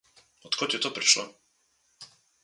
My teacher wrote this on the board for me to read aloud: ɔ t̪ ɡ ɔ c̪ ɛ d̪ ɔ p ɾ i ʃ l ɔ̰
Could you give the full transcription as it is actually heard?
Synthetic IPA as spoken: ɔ t̪ k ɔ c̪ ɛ t̪ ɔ p ɾ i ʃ l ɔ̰